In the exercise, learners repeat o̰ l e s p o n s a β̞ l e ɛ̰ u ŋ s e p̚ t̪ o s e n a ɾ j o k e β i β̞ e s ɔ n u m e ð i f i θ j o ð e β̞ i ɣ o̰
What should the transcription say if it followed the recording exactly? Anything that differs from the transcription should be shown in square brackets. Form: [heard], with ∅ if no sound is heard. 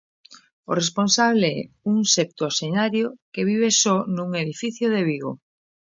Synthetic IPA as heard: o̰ [r] e s p o n s a β̞ l e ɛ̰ u ŋ s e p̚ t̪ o s e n a ɾ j o k e β i β̞ e s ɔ n u [ŋ] e ð i f i θ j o ð e β̞ i ɣ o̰